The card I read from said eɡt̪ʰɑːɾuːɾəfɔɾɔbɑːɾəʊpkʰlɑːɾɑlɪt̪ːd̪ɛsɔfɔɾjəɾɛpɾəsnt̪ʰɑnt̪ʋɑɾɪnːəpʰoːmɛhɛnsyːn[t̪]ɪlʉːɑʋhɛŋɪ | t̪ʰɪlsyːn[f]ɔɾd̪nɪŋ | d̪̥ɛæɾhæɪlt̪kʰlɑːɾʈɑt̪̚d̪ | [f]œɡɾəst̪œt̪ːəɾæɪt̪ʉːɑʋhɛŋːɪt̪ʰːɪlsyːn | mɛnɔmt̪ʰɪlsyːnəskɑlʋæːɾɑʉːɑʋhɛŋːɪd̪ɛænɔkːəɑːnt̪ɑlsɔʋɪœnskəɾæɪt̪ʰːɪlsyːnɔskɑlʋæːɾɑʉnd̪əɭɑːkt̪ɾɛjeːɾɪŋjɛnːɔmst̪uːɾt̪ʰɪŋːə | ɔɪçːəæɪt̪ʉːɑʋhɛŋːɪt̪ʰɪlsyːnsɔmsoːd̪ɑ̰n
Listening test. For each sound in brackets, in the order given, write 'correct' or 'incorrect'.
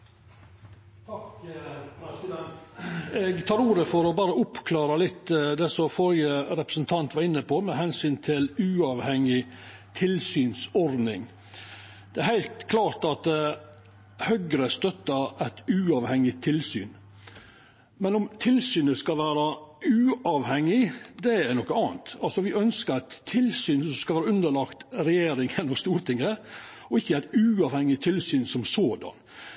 incorrect: t̪ʰ, incorrect: s, incorrect: h

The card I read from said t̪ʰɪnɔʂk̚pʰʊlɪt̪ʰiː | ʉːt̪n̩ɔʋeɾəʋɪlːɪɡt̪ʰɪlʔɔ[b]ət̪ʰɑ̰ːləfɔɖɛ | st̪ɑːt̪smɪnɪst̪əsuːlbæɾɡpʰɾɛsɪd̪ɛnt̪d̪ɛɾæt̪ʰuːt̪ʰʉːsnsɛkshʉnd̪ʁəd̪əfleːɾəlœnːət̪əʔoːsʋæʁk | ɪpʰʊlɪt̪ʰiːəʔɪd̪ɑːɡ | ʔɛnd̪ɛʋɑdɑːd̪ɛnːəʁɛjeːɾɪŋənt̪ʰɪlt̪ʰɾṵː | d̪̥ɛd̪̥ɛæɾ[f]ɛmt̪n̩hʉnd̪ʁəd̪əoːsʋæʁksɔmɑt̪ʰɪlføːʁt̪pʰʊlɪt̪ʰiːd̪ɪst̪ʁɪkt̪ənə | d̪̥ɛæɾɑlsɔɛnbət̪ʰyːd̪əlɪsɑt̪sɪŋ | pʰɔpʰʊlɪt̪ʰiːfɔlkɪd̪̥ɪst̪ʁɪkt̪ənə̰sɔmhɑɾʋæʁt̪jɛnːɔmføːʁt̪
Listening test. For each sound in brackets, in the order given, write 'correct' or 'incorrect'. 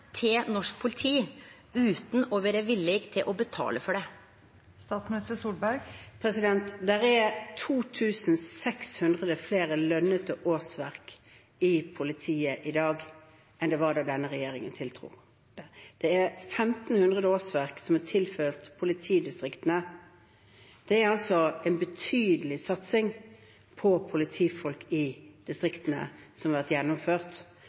correct, correct

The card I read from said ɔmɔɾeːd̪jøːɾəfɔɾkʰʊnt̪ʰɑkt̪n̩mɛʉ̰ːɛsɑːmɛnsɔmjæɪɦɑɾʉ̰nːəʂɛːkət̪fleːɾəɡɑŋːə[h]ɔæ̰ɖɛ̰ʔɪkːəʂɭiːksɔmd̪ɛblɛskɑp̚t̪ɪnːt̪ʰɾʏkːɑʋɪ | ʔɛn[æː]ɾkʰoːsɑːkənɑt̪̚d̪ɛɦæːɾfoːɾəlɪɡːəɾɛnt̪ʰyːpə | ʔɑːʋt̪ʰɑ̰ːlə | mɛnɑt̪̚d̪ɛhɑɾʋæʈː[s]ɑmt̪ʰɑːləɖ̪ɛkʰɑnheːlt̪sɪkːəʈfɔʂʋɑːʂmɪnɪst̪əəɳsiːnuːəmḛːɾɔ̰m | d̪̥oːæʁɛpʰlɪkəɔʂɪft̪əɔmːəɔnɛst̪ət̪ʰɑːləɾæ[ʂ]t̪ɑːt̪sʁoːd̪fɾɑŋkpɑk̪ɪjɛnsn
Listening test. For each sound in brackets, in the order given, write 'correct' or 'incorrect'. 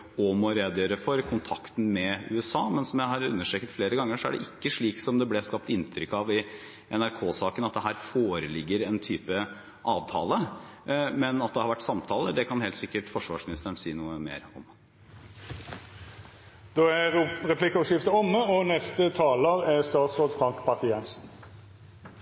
incorrect: ʂ, incorrect: æ, correct, incorrect: s

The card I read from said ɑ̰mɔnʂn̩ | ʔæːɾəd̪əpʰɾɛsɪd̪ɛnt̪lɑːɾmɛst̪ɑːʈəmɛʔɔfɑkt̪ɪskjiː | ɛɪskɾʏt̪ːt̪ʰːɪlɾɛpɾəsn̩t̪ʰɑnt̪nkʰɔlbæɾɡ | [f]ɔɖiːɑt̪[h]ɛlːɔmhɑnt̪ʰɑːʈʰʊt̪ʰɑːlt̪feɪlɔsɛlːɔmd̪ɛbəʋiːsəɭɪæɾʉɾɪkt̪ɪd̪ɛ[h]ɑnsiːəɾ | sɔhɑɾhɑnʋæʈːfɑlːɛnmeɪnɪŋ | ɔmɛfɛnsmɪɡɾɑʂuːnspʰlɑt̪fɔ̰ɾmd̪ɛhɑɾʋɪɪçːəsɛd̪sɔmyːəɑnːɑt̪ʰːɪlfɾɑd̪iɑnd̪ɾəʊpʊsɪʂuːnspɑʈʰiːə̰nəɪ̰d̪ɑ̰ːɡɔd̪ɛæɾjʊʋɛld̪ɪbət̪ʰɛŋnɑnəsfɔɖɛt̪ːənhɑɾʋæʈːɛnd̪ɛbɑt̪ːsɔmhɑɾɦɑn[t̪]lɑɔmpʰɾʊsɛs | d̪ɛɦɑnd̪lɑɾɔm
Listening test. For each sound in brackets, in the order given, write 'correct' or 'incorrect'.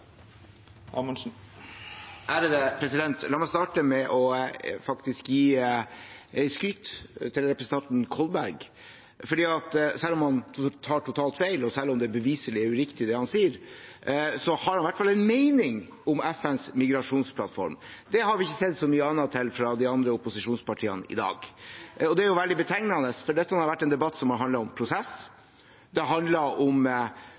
correct, incorrect: s, correct, incorrect: d̪

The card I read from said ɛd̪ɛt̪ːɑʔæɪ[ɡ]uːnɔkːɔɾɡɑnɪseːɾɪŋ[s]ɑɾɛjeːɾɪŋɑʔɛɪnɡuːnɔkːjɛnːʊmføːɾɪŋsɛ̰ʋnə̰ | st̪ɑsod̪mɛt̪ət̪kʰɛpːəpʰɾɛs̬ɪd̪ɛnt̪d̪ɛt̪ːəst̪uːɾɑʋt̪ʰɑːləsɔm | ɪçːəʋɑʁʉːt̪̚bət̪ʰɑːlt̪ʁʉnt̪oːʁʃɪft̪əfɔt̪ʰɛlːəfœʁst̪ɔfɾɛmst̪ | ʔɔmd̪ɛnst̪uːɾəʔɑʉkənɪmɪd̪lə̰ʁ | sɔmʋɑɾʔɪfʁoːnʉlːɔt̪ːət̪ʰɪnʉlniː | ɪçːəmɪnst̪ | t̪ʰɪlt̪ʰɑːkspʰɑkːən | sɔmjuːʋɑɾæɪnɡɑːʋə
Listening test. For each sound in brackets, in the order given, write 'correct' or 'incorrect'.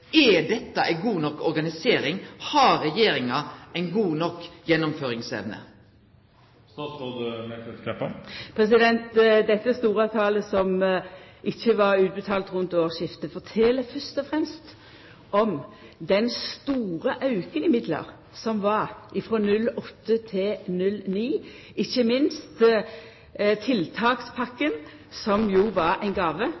correct, incorrect: h

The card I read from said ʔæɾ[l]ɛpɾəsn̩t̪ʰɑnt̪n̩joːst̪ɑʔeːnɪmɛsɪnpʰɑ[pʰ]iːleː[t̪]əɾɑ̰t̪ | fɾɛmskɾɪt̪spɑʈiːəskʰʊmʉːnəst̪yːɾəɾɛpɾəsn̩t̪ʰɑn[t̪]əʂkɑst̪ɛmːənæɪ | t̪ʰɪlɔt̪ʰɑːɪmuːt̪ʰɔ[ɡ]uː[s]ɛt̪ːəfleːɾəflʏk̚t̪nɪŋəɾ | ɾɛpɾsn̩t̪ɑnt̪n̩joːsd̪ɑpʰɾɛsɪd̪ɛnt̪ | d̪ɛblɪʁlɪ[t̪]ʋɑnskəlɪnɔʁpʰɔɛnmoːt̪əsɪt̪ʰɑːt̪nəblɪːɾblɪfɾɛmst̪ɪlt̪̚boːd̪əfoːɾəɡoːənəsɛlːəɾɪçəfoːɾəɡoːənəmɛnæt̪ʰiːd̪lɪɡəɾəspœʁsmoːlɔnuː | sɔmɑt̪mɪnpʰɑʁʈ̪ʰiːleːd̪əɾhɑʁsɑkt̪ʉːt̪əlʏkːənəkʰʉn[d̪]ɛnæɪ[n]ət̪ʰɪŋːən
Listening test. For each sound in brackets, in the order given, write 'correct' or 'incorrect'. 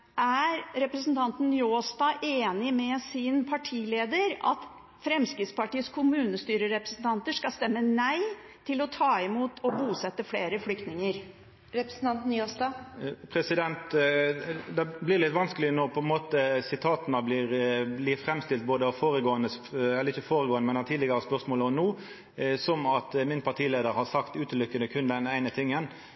incorrect: ɾ, incorrect: ʈʰ, incorrect: d̪, correct, incorrect: b, correct, correct, correct, correct

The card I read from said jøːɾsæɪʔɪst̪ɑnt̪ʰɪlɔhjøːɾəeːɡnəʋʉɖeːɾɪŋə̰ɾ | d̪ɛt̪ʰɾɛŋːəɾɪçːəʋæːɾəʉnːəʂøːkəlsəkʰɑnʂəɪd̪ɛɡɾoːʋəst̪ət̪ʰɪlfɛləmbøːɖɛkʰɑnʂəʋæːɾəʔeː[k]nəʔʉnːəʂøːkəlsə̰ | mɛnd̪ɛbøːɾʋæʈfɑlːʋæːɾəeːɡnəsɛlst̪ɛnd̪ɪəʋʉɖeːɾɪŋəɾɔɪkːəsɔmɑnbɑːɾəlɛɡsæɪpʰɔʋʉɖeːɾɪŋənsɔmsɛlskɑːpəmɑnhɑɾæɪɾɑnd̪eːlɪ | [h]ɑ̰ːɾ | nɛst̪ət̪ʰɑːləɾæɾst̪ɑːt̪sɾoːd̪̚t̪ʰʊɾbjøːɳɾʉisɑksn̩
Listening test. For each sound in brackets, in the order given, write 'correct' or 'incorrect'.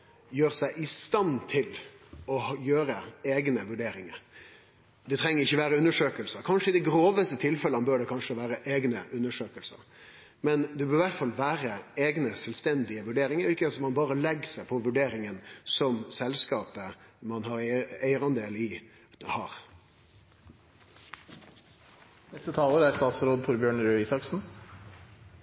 incorrect: ɡ, correct

